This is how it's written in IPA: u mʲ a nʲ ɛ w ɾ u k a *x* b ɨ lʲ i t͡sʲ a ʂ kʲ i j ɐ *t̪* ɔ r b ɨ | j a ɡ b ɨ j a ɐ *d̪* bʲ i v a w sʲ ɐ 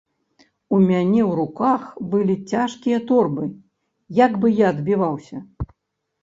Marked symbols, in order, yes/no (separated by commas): yes, yes, yes